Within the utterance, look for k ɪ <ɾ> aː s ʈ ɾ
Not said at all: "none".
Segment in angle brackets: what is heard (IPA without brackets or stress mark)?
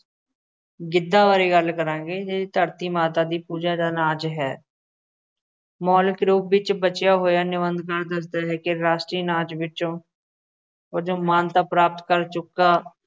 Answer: ɾ